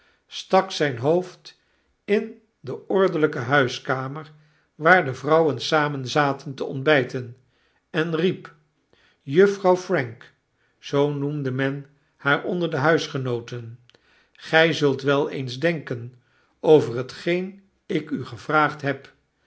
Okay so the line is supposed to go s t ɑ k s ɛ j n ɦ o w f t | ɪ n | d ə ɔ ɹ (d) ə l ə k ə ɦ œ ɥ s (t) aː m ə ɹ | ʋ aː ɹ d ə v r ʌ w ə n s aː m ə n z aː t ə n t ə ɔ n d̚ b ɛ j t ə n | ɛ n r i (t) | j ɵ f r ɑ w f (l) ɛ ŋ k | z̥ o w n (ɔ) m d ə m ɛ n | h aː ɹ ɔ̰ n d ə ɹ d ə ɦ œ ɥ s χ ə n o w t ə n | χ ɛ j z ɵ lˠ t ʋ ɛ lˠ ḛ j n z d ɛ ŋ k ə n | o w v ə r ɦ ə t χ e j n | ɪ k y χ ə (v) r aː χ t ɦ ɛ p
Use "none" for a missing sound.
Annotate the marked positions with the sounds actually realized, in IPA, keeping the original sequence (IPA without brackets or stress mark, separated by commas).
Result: d, k, p, r, u, v